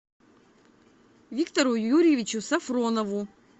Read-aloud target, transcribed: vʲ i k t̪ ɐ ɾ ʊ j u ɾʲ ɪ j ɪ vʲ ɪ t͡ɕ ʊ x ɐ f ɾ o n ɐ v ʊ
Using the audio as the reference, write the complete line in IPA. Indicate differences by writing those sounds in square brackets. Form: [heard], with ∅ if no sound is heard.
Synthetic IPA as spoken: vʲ i k t̪ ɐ ɾ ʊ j u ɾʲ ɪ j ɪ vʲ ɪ t͡ɕ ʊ [s] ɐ f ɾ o n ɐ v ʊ